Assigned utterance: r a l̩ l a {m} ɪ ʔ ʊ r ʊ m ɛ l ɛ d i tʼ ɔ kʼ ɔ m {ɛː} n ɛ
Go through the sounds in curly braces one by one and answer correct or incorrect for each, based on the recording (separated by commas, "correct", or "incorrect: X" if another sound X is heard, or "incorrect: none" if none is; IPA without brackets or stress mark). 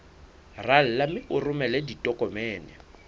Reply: correct, correct